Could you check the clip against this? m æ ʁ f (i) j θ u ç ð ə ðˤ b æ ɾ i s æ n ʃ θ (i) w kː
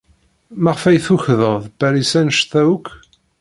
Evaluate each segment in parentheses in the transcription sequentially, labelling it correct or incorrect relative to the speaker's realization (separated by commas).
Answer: incorrect, incorrect